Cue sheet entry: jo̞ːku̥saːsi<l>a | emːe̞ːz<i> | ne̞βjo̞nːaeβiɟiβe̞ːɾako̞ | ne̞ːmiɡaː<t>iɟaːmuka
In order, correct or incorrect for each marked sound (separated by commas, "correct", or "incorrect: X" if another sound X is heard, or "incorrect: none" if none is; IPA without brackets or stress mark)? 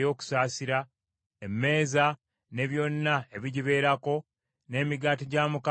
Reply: incorrect: ɾ, incorrect: a, correct